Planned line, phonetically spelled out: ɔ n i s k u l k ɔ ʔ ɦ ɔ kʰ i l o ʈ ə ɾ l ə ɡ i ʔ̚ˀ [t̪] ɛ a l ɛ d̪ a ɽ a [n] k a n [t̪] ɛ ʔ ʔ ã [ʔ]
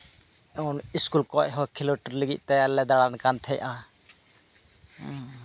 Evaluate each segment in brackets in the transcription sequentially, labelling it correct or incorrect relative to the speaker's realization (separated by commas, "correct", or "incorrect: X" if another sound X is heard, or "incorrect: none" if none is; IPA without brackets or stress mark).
correct, correct, incorrect: t̪ʰ, incorrect: none